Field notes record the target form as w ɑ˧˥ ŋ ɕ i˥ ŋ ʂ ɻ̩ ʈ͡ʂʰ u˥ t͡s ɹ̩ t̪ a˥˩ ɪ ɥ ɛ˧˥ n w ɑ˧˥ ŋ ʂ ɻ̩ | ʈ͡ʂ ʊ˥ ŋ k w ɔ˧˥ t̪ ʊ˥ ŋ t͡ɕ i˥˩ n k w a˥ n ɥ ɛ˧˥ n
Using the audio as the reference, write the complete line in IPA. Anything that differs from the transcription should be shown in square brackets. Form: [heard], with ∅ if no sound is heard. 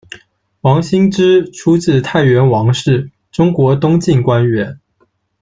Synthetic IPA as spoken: w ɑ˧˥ ŋ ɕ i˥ ŋ [ʈ͡ʂ] ɻ̩ ʈ͡ʂʰ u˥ t͡s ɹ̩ [t̪ʰ] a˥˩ ɪ ɥ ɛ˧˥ n w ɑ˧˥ ŋ ʂ ɻ̩ | ʈ͡ʂ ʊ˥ ŋ k w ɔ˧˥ t̪ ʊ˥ ŋ t͡ɕ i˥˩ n k w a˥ n ɥ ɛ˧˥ n